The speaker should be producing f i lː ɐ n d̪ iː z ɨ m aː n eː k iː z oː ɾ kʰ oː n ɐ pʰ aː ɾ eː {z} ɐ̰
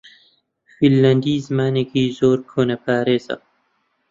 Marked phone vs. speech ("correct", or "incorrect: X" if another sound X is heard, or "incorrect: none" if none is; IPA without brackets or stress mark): correct